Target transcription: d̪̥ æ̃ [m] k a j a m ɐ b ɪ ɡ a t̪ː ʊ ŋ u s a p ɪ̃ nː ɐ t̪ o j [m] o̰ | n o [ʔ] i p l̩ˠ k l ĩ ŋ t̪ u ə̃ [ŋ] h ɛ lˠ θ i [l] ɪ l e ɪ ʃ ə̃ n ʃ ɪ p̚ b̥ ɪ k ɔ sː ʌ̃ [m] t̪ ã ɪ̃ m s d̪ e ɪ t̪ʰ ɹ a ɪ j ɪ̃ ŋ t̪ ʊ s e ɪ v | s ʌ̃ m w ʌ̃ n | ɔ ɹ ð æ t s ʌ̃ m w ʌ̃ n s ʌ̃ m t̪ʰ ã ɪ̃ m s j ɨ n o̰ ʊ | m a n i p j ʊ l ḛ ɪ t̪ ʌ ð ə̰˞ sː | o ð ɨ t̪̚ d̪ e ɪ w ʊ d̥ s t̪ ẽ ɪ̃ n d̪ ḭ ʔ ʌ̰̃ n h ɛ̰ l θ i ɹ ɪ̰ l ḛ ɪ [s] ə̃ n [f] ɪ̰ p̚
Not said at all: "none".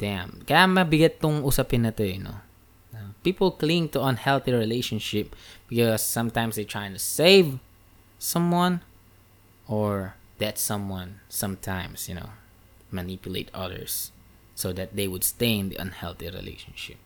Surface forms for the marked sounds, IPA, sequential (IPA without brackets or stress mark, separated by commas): m, n, p, n, ɹ, m, ʃ, ʃ